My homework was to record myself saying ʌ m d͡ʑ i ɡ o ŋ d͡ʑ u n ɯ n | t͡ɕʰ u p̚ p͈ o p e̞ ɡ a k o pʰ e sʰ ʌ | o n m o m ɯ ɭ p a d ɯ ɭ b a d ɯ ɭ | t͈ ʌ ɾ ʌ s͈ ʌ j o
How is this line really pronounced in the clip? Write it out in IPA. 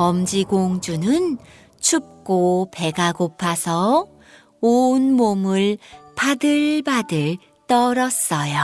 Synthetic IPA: ʌ m d͡ʑ i ɡ o ŋ d͡ʑ u n ɯ n | t͡ɕʰ u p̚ k͈ o p e̞ ɡ a ɡ o pʰ a sʰ ʌ | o n m o m ɯ ɭ p a d ɯ ɭ b a d ɯ ɭ | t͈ ʌ ɾ ʌ s͈ ʌ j o